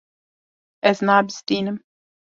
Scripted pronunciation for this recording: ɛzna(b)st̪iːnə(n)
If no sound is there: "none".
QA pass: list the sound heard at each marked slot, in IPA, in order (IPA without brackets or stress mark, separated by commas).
b, m